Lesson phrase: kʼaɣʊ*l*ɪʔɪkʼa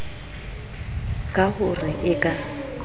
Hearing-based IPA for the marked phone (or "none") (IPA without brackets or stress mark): r